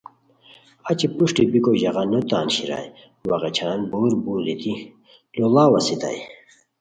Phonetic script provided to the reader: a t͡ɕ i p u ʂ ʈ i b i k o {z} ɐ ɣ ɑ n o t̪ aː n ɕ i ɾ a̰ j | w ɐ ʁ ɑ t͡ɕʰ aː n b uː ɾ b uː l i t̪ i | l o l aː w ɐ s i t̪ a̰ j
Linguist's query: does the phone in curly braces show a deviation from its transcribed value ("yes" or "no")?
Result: yes